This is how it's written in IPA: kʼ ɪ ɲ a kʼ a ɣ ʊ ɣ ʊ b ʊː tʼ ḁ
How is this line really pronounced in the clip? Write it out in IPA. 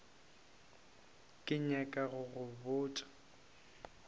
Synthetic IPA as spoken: kʼ ɪ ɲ a kʼ a ɣ ʊ ɣ ʊ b ʊː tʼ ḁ